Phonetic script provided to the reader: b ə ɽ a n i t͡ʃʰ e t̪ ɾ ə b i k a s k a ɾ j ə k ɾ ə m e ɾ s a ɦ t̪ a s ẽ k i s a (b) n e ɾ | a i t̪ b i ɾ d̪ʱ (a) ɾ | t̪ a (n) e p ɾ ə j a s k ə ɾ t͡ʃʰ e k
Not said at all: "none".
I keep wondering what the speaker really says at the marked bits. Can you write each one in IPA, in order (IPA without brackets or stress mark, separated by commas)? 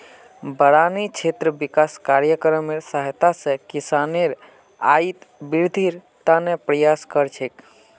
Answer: none, i, n